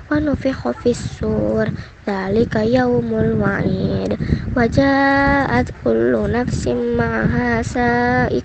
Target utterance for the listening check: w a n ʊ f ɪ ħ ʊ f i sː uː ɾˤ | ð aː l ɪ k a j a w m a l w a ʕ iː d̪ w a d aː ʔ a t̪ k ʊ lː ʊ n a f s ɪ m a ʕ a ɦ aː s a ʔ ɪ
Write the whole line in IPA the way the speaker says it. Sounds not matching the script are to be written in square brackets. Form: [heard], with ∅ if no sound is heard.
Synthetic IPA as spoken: w a n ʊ f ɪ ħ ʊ f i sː uː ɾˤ | ð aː l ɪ k a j a w m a l w a ʕ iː d̪ w a [d͡ʒ] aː ʔ a t̪ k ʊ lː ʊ n a f s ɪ m a ʕ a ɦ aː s a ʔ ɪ

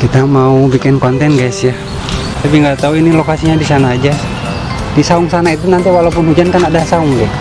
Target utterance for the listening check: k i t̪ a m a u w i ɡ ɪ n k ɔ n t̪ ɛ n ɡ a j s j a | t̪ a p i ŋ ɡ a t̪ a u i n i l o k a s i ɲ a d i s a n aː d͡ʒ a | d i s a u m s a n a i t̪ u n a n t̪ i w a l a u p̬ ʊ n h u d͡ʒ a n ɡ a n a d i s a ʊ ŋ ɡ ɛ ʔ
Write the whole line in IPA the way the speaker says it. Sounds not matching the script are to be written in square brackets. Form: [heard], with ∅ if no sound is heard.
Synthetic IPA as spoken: k i t̪ a m a u [b] i [k] ɪ n k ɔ n t̪ ɛ n ɡ a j s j a | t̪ a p i ŋ ɡ a t̪ a u i n i l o k a s i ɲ a d i s a n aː d͡ʒ a | d i s a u [ŋ] s a n a i t̪ u n a n t̪ i w a l a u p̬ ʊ n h u d͡ʒ a n [k] a n a d [a] s a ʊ ŋ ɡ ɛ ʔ

